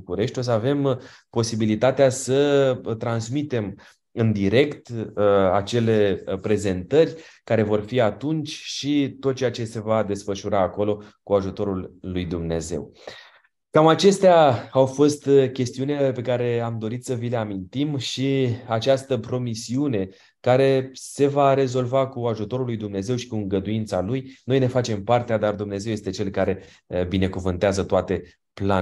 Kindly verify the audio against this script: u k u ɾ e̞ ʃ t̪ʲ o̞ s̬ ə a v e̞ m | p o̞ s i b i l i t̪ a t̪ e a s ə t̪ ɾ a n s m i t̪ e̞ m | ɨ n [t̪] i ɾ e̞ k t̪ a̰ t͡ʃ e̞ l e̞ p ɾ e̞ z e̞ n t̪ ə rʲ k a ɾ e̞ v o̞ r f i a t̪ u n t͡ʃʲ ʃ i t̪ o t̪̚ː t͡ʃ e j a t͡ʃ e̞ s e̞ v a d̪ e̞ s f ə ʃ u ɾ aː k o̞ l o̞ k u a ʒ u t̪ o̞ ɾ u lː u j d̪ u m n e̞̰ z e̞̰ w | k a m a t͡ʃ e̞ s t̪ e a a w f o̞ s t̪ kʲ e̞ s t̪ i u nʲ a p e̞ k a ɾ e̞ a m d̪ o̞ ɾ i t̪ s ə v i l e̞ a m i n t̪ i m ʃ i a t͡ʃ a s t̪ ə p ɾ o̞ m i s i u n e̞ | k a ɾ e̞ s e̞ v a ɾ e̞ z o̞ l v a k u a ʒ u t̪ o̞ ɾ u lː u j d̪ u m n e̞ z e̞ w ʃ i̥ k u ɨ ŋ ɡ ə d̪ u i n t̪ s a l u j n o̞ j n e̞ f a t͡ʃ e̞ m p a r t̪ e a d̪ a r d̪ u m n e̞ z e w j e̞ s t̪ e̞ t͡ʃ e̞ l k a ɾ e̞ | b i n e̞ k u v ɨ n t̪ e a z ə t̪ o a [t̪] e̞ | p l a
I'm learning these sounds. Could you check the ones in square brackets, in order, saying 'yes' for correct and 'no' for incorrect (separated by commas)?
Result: no, yes